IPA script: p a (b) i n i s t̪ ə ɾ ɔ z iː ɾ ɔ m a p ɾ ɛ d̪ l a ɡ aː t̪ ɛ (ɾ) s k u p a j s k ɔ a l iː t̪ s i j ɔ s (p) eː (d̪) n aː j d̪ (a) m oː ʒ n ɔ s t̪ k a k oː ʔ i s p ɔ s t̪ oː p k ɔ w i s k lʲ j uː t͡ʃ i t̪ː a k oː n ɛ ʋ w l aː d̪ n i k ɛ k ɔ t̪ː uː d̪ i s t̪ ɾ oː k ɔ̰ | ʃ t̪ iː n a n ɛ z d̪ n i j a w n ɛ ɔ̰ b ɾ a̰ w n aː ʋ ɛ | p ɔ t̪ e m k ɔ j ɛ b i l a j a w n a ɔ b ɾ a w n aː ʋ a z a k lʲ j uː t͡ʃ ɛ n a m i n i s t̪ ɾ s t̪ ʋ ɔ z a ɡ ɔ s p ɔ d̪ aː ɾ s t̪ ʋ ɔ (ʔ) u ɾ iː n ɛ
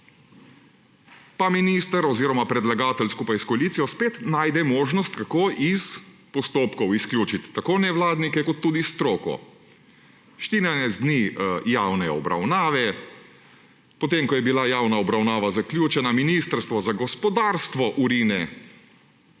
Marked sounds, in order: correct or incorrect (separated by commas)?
incorrect, incorrect, correct, incorrect, incorrect, correct